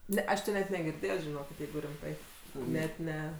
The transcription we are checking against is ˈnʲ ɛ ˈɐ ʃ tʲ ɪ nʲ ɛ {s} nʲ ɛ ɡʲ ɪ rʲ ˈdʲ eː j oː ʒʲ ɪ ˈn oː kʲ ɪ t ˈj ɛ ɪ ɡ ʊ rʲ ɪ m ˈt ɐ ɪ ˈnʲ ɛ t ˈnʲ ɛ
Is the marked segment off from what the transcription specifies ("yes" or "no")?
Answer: yes